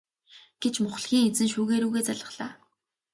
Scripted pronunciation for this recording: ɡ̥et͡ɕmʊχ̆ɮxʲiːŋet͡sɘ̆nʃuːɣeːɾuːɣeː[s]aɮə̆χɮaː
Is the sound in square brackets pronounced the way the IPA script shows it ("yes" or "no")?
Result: no